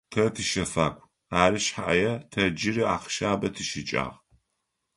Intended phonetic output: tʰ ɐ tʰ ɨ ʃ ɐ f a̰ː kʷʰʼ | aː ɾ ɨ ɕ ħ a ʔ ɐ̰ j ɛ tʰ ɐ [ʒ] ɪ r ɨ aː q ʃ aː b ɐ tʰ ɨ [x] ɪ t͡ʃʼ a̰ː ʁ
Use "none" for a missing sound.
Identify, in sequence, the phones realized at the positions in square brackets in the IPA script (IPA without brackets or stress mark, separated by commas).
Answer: d͡ʒ, ʃ